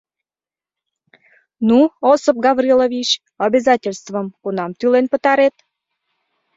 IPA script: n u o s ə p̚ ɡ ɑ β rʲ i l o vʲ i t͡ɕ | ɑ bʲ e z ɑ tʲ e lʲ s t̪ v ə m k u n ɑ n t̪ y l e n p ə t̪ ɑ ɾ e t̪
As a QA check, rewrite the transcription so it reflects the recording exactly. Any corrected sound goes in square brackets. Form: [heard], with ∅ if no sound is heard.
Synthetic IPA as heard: n u o s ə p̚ ɡ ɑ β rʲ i l o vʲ i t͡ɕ | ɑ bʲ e z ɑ tʲ e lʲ s t̪ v ə m k u n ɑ [m] t̪ y l e n p ə t̪ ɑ ɾ e t̪